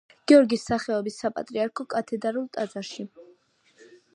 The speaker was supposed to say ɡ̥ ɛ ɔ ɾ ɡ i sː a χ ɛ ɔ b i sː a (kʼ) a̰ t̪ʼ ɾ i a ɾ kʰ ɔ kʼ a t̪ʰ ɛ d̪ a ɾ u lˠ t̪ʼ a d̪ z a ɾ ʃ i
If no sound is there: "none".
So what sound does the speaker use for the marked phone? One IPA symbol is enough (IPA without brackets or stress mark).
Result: pʼ